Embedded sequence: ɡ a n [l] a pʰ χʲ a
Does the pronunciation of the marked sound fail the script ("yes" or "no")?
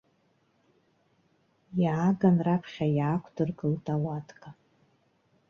yes